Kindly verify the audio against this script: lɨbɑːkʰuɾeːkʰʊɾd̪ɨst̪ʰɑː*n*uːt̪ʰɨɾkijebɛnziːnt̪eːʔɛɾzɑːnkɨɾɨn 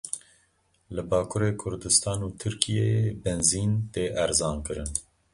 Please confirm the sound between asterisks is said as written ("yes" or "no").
yes